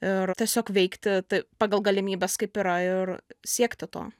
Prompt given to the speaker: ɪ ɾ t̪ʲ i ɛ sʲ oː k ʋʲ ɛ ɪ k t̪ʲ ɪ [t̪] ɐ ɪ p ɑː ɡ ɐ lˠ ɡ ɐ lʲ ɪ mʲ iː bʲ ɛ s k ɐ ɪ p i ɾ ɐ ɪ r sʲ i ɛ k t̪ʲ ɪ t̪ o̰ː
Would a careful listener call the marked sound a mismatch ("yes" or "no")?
no